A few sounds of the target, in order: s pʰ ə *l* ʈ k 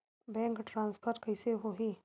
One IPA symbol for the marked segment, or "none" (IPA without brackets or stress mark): ɾ